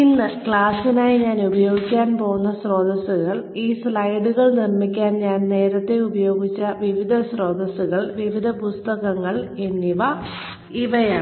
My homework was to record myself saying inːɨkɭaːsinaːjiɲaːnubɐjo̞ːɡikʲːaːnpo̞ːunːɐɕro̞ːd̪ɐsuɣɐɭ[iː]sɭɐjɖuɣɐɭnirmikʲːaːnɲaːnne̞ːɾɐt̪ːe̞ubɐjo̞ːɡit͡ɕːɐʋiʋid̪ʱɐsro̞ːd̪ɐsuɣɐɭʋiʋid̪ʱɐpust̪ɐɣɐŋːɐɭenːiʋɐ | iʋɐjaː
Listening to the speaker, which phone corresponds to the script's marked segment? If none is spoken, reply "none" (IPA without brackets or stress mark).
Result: iː